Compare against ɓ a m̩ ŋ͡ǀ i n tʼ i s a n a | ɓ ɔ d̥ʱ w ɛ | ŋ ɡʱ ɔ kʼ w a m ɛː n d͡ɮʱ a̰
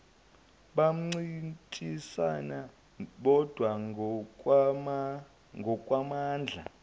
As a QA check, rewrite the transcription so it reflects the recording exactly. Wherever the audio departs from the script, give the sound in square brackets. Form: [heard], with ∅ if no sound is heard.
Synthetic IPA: ɓ a m̩ ŋ͡ǀ i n tʼ i s a n a | ɓ ɔ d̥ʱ w [a] | ŋ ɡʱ ɔ kʼ w a m [aː] n d͡ɮʱ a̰